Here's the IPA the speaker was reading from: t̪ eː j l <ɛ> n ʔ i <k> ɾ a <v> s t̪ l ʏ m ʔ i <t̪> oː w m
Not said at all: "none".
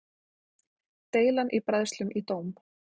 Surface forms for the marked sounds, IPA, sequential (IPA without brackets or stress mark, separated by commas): a, p, ð, t̪